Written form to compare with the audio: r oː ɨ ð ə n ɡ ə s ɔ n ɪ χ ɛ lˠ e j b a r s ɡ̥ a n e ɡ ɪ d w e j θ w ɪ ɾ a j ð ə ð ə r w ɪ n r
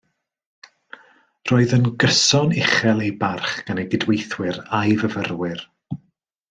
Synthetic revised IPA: r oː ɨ ð ə n ɡ ə s ɔ n ɪ χ ɛ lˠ e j b a r χ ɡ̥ a n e ɡ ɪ d w e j θ w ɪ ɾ a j v ə v ə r w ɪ r